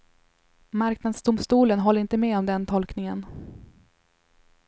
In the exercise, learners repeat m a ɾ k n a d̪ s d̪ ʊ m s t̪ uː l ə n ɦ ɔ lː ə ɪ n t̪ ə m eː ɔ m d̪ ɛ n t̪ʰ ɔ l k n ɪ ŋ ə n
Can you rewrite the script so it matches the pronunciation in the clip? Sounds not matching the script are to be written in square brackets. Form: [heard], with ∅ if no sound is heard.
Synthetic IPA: m a ɾ k n a d̪ s d̪ ʊ m s t̪ uː l ə n ɦ ɔ lː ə ɪ n t̪ ə m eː ɔ m d̪ ɛ n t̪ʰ ɔ l k n ɪ ŋ ə n